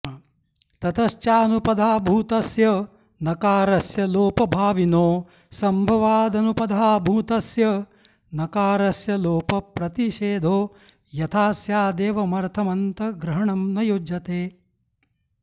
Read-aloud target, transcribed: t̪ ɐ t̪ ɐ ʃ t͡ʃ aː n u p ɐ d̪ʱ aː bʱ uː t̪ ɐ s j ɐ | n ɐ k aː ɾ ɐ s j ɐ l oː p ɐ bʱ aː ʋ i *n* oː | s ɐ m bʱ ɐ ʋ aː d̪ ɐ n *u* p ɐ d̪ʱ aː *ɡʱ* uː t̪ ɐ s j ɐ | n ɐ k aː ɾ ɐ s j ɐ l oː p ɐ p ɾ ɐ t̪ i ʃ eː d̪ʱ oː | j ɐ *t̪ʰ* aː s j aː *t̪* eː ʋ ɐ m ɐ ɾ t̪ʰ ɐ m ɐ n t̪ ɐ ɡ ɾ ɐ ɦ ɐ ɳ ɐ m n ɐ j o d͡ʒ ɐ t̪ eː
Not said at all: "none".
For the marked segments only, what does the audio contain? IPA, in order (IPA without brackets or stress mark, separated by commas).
n, u, bʱ, t̪ʰ, d̪